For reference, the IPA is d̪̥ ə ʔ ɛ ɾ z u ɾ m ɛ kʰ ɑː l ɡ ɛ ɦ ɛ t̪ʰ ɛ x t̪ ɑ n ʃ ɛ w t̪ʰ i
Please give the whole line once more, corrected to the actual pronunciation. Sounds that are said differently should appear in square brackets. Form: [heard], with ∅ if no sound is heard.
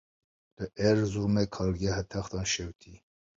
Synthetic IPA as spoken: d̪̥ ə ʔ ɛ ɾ z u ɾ m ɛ kʰ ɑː l ɡ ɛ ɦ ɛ t̪ʰ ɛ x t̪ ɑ n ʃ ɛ w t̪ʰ i